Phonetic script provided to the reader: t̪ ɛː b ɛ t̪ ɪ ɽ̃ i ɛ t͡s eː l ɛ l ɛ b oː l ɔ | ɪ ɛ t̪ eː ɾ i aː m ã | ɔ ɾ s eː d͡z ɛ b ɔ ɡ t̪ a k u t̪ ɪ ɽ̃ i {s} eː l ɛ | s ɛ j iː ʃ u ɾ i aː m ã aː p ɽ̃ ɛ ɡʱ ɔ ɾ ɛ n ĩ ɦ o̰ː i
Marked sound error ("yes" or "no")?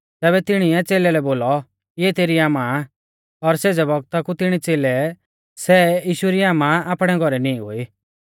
yes